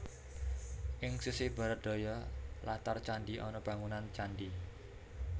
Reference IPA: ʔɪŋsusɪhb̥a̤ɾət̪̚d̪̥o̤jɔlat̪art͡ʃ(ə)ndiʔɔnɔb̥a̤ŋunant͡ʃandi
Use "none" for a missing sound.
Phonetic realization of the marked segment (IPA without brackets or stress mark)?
a